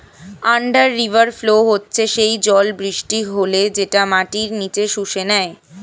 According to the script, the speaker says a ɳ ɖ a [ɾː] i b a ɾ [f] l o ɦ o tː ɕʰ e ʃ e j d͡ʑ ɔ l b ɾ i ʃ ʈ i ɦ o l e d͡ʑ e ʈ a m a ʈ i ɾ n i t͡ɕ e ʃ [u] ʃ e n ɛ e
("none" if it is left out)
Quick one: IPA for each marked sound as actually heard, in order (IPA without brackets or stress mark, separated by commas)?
ɾː, f, u